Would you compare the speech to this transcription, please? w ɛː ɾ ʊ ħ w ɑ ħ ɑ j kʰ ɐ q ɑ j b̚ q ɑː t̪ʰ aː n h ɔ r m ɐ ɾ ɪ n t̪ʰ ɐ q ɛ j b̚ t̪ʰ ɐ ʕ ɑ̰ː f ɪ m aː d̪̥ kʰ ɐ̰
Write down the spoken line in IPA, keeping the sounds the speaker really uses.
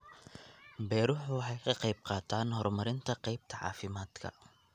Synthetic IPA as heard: b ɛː ɾ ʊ ħ w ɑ ħ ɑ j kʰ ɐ q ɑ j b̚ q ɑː t̪ʰ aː n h ɔ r m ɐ ɾ ɪ n t̪ʰ ɐ q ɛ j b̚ t̪ʰ ɐ ʕ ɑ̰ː f ɪ m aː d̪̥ kʰ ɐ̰